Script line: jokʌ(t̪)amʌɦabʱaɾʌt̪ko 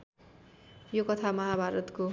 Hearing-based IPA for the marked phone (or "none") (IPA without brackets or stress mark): t̪ʰ